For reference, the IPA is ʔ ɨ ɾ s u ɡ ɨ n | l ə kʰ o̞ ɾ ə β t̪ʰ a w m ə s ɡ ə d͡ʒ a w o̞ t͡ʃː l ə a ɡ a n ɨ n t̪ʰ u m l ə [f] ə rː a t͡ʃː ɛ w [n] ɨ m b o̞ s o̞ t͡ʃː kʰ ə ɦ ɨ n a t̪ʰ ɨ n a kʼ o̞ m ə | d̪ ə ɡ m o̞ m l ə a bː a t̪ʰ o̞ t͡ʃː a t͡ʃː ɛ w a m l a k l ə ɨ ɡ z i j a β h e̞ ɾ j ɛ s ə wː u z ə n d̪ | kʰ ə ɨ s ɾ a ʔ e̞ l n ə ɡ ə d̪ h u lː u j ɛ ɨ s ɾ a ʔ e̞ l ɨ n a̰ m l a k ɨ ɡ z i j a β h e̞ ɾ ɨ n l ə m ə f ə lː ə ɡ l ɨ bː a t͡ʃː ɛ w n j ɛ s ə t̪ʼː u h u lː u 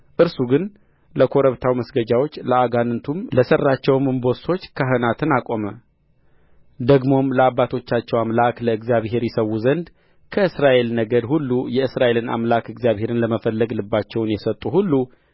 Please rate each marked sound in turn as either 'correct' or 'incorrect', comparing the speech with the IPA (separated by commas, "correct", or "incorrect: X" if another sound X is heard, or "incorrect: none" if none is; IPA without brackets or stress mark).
incorrect: s, incorrect: m